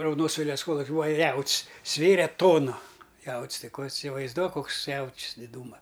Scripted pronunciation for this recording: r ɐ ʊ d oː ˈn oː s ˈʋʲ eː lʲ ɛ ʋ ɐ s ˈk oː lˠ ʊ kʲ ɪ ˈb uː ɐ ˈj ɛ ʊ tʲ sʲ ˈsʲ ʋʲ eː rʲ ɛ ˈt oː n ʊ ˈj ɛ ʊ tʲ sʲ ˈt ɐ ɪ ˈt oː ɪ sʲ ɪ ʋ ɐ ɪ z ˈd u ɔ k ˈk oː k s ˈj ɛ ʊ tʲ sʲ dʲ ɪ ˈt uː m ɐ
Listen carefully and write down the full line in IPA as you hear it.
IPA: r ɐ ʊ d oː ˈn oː s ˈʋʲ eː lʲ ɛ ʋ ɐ s ˈk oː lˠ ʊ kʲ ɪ ˈb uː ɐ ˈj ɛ ʊ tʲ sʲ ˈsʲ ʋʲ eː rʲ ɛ ˈt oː n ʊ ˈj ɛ ʊ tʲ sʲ ˈt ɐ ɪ ˈk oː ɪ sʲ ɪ ʋ ɐ ɪ z ˈd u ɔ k ˈk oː k s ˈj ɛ ʊ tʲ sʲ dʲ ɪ ˈd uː m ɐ